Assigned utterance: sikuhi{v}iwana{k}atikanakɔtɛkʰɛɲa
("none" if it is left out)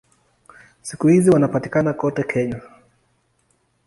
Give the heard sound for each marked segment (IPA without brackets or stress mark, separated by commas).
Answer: z, p